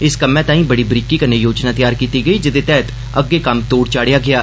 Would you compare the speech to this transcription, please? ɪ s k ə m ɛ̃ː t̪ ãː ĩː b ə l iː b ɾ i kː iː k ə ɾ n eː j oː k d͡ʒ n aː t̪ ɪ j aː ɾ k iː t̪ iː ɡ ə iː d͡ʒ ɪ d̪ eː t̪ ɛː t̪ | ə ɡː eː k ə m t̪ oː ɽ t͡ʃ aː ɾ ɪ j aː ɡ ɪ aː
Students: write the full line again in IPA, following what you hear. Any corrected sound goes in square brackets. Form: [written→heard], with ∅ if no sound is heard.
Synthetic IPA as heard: ɪ s k ə m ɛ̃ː t̪ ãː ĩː b ə [l→ɽ] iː b ɾ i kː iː k ə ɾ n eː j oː [k→∅] d͡ʒ n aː t̪ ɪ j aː ɾ k iː t̪ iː ɡ ə iː d͡ʒ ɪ d̪ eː t̪ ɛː t̪ | ə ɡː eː k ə m t̪ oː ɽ t͡ʃ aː [ɾ→ɽ] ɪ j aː ɡ ɪ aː

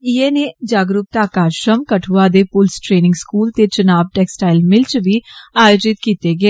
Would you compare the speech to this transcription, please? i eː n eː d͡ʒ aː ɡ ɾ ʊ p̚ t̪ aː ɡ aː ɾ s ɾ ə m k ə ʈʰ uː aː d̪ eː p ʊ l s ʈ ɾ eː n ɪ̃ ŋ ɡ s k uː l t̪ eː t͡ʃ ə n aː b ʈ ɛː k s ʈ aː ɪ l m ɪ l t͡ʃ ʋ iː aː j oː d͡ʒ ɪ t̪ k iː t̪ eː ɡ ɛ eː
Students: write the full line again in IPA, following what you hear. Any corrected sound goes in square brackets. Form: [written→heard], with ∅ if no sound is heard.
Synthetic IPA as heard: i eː n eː d͡ʒ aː ɡ ɾ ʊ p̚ t̪ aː [ɡ→k] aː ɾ [s→ʃ] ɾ ə m k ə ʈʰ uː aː d̪ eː p ʊ l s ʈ ɾ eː n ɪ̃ ŋ ɡ s k uː l t̪ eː t͡ʃ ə n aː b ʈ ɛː k s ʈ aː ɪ l m ɪ l t͡ʃ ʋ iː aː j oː d͡ʒ ɪ t̪ k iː t̪ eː ɡ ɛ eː

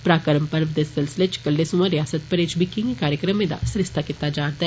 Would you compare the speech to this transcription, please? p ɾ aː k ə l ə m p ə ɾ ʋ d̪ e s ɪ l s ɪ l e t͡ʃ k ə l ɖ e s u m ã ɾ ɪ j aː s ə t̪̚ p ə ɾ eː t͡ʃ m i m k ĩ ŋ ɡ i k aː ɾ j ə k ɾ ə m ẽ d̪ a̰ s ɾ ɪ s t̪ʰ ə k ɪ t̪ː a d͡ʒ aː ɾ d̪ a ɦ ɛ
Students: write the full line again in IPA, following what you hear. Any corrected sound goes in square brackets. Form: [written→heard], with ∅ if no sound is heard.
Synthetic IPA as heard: p ɾ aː k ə [l→ɾ] ə m p ə ɾ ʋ d̪ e s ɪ l s ɪ l e t͡ʃ k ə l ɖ e s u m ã ɾ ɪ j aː s ə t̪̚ p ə ɾ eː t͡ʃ [m→b] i [m→∅] k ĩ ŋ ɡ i k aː ɾ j ə k ɾ ə m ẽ d̪ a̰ s ɾ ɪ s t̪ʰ [ə→a] k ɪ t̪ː a d͡ʒ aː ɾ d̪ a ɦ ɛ

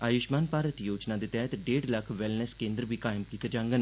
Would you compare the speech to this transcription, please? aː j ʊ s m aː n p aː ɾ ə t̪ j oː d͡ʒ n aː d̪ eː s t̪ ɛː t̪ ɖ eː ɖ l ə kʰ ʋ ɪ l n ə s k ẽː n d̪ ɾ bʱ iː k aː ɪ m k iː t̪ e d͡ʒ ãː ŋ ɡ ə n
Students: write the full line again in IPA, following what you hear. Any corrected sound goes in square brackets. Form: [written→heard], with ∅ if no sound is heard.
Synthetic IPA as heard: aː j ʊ [s→ʃ] m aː n p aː ɾ ə t̪ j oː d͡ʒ n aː d̪ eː [s→∅] t̪ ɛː t̪ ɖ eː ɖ l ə kʰ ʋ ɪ l n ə s k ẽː n d̪ ɾ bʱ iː k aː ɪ m k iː t̪ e d͡ʒ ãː ŋ ɡ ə n

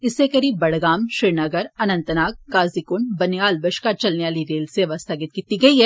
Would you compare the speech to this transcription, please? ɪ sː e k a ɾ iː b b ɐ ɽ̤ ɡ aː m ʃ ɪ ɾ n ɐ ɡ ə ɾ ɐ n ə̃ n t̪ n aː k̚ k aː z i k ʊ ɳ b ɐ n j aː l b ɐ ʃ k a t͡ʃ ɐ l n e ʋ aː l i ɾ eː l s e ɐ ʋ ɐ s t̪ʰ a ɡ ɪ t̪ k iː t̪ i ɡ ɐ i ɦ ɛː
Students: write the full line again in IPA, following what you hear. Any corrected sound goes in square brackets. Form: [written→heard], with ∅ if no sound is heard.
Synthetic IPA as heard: ɪ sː e k [a→ɐ] ɾ iː b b ɐ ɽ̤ ɡ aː m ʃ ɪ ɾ n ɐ ɡ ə ɾ ɐ n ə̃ n t̪ n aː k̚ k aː z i k ʊ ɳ b ɐ n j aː l b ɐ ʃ k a t͡ʃ ɐ l n e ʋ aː l i ɾ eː l s e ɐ ʋ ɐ s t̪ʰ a ɡ ɪ t̪ k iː t̪ i ɡ ɐ i ɦ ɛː

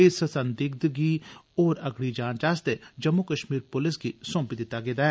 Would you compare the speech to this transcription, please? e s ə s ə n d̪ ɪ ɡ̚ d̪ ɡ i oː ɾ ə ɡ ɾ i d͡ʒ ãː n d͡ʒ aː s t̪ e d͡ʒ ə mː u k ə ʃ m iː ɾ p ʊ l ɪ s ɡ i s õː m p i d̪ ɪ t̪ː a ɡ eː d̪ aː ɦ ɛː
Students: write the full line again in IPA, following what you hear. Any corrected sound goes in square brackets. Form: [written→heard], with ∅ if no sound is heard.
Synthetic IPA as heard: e s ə s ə n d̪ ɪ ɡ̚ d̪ ɡ i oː ɾ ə ɡ [ɾ→ɽ] i d͡ʒ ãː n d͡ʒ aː s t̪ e d͡ʒ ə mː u k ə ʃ m iː ɾ p ʊ l ɪ s ɡ i s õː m p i d̪ ɪ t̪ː a ɡ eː d̪ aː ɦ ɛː

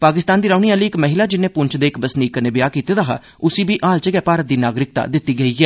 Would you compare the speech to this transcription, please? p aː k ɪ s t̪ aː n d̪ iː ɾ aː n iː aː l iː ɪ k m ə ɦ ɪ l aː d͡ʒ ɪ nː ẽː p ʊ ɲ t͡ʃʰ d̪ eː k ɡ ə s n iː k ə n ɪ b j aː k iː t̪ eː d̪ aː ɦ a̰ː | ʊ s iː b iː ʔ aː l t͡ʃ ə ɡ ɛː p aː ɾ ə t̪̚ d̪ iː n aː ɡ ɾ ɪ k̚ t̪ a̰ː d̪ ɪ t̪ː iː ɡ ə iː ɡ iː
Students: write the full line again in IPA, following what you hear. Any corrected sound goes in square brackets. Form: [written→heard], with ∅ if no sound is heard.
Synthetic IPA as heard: p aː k ɪ s t̪ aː n d̪ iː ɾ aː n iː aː l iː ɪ k m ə ɦ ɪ l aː d͡ʒ ɪ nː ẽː p ʊ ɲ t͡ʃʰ d̪ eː k [ɡ→b] ə s n iː k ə n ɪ b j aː k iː t̪ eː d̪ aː ɦ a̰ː | ʊ s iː b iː ʔ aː l t͡ʃ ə ɡ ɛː p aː ɾ ə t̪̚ d̪ iː n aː ɡ ɾ ɪ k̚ t̪ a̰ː d̪ ɪ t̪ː iː ɡ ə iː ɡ [iː→ɛː]

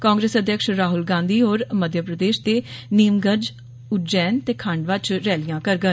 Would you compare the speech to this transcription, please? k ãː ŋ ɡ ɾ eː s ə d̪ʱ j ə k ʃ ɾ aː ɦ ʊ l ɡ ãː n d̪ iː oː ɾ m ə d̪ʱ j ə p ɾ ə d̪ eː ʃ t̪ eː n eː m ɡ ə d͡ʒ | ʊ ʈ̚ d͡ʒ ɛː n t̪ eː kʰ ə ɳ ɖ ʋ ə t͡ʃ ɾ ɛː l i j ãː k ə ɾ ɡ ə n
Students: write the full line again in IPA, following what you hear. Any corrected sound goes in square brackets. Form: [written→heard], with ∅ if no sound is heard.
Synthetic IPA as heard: k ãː ŋ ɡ ɾ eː s ə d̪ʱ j ə k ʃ ɾ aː ɦ ʊ l ɡ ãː n d̪ iː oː ɾ m ə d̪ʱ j ə p ɾ ə d̪ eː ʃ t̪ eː n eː m ɡ ə d͡ʒ | ʊ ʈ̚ d͡ʒ ɛː n t̪ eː kʰ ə ɳ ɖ ʋ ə t͡ʃ ɾ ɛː l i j ãː k ə ɾ ɡ ə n

